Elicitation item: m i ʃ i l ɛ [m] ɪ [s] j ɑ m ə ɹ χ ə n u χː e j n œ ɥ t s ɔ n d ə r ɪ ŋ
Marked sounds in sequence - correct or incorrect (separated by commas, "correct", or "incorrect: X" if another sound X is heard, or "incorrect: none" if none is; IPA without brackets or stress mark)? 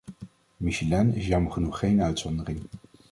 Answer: incorrect: n, correct